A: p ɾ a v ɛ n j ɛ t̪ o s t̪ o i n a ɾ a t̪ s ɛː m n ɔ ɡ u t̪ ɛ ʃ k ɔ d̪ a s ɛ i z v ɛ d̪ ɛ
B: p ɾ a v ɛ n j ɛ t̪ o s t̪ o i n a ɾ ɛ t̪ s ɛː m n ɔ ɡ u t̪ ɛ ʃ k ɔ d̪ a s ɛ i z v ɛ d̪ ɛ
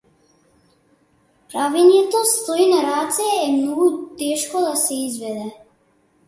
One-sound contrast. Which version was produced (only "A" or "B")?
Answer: A